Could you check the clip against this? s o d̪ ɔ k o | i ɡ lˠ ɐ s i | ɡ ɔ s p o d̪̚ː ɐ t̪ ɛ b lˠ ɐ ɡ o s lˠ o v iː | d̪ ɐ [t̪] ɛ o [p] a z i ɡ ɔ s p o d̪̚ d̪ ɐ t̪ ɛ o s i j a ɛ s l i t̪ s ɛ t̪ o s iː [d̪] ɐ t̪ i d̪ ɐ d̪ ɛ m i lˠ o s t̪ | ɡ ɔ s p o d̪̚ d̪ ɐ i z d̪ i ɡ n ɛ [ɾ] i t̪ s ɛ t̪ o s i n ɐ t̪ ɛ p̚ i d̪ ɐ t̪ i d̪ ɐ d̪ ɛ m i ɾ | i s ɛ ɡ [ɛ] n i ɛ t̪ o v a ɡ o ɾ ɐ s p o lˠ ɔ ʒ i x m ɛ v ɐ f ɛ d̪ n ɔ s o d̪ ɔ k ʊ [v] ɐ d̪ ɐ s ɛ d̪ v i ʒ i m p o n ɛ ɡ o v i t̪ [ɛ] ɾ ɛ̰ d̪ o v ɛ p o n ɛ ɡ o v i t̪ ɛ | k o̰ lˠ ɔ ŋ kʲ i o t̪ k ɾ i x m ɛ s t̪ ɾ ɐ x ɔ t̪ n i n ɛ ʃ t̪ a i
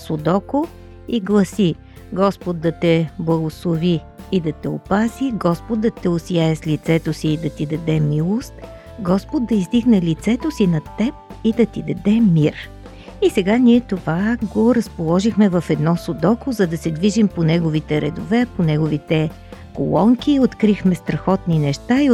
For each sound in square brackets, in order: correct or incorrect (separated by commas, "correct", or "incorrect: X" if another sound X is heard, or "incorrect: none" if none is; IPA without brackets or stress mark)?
correct, correct, correct, incorrect: l, incorrect: a, incorrect: z, correct